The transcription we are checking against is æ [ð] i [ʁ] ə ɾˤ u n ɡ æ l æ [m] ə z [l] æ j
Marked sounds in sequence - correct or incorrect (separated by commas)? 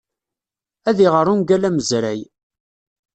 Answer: correct, correct, correct, incorrect